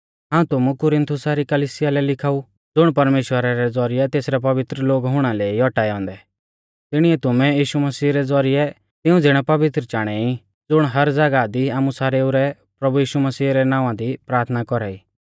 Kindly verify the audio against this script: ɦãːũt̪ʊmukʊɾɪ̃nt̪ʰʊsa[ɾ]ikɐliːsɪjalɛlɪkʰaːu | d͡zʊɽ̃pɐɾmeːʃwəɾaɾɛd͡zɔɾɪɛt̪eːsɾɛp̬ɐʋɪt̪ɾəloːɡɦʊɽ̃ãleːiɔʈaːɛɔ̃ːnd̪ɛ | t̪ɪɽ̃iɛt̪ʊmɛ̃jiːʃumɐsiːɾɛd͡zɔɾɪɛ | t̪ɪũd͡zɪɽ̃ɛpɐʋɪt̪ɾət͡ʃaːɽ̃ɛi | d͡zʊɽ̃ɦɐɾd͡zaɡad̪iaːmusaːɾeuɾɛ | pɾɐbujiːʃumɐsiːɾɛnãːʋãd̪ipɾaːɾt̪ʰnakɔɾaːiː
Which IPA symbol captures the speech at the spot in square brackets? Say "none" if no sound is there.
ɾ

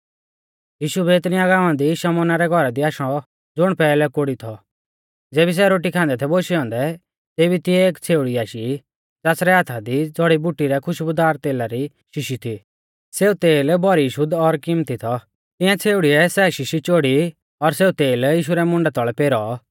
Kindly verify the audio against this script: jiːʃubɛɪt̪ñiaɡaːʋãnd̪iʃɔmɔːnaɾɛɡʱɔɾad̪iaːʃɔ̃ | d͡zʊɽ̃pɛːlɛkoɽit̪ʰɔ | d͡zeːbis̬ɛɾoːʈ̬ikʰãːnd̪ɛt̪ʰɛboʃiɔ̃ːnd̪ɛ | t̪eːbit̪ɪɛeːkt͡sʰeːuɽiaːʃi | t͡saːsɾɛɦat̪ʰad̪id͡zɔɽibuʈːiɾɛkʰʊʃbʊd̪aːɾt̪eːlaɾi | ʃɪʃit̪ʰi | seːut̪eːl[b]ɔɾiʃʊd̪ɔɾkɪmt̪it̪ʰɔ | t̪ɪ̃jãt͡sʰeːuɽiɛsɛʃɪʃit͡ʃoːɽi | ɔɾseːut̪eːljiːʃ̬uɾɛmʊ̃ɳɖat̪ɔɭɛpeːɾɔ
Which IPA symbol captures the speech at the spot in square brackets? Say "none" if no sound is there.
b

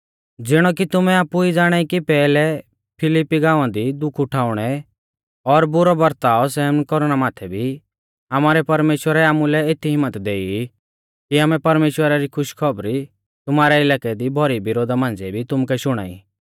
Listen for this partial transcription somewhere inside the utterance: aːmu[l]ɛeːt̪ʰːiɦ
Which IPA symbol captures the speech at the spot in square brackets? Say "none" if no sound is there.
l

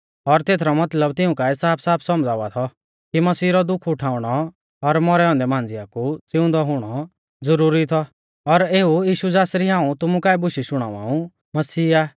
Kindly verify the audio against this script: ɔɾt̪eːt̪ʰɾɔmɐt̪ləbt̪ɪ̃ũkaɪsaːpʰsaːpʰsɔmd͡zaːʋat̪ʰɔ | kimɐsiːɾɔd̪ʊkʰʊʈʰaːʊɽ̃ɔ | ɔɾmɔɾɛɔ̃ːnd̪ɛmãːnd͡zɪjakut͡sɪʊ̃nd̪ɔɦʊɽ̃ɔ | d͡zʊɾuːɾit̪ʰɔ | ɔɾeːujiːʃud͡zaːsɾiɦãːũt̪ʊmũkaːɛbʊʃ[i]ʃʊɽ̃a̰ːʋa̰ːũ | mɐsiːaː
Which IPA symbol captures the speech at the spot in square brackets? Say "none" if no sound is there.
i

